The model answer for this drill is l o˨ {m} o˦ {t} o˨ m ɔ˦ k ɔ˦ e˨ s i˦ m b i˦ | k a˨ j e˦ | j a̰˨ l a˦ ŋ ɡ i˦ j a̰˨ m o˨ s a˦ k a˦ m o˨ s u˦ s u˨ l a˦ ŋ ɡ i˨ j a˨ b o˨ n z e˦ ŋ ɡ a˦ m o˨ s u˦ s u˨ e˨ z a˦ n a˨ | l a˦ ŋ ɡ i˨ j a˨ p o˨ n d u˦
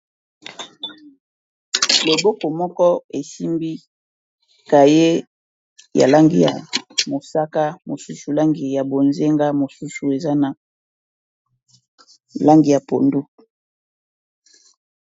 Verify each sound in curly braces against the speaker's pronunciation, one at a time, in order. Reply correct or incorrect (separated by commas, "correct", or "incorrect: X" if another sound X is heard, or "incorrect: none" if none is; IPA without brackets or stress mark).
incorrect: b, incorrect: k